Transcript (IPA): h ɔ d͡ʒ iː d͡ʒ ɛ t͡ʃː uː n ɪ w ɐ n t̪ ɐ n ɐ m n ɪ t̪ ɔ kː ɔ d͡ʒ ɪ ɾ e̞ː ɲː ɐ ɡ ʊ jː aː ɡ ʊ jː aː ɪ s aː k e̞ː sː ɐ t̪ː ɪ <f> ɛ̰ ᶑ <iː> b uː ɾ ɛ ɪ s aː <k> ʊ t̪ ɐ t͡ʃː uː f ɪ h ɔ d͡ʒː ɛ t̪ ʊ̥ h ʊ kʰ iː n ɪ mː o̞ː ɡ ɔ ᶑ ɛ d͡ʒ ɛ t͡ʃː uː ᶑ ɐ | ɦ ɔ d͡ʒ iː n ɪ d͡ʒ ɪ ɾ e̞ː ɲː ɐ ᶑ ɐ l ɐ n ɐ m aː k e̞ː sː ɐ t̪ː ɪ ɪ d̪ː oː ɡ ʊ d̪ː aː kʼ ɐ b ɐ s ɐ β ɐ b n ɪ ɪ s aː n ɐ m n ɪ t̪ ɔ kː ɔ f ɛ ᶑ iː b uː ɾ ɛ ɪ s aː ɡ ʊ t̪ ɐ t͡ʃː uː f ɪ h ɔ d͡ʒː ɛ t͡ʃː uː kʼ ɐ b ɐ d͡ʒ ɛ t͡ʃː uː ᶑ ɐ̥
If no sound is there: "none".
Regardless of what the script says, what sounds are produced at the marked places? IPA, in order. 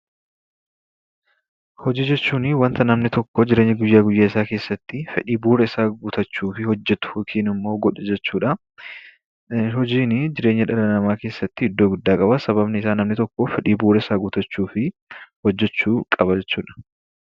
f, iː, ɡ

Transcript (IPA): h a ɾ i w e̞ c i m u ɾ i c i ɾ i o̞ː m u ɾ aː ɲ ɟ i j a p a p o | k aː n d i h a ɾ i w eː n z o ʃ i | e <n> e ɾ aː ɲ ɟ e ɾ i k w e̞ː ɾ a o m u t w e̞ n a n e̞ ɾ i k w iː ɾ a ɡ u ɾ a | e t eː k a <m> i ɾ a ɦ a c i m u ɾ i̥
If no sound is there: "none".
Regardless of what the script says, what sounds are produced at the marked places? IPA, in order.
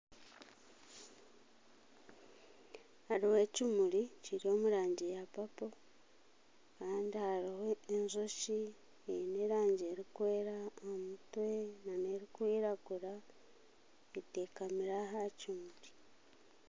n, m

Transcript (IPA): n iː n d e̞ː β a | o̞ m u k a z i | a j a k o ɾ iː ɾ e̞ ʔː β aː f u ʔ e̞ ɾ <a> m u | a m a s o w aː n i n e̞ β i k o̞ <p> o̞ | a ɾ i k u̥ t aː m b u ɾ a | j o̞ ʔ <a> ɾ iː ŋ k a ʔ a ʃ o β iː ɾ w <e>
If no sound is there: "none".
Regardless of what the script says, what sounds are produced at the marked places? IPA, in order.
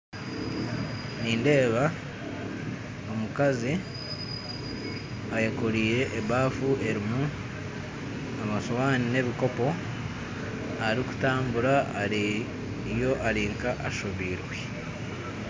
i, p, a, e

